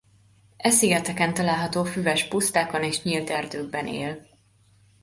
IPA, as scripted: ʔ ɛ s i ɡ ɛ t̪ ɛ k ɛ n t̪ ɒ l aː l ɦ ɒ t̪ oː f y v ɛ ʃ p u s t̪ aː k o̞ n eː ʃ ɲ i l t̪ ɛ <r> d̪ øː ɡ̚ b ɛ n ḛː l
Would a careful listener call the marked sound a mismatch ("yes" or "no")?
no